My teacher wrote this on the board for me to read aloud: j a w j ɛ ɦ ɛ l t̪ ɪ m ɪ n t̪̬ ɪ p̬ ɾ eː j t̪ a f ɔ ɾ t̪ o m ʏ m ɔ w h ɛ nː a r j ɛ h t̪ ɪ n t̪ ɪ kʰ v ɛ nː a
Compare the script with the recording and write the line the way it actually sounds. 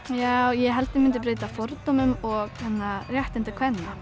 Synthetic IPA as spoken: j a w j ɛ ɦ ɛ l t̪ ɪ m ɪ n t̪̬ ɪ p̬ ɾ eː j t̪ a f ɔ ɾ t̪ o m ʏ m ɔ ɣ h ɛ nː a r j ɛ h t̪ ɪ n t̪ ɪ kʰ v ɛ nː a